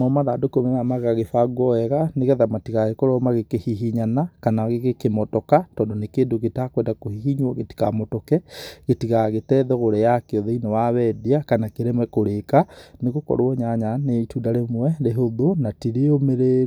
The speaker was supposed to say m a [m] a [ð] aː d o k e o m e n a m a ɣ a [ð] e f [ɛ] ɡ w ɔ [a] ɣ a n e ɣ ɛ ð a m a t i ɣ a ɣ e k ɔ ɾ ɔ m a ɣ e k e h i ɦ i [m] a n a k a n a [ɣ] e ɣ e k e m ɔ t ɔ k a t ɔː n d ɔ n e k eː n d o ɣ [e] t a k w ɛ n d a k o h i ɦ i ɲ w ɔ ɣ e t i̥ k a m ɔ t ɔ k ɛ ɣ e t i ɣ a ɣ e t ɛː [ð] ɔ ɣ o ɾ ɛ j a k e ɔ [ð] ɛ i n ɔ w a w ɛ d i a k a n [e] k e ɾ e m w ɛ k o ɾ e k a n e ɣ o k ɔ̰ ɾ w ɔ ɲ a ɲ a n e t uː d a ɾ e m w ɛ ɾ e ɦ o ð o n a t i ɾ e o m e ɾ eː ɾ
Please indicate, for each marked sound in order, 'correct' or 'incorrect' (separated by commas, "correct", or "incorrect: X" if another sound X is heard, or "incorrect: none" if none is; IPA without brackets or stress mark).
correct, correct, incorrect: ɣ, incorrect: a, incorrect: ɛ, incorrect: ɲ, correct, correct, correct, correct, incorrect: a